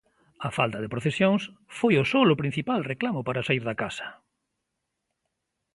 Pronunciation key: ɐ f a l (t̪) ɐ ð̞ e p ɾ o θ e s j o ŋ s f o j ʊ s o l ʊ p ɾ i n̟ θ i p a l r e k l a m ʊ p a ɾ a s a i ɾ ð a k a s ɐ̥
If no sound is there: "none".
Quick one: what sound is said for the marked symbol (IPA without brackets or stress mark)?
t̪